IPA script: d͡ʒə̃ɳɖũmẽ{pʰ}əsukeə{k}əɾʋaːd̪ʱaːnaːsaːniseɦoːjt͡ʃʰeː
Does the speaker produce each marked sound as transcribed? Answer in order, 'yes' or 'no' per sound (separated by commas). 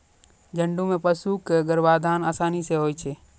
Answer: no, no